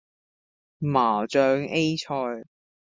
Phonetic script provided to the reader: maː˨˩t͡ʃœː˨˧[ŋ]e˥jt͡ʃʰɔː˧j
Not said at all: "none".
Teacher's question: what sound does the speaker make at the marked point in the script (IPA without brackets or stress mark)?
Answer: ŋ